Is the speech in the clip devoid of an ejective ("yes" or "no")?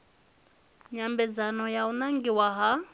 yes